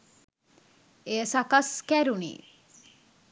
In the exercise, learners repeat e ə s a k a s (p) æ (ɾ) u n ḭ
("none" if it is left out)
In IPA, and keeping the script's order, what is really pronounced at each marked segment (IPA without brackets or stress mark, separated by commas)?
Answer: k, ɾ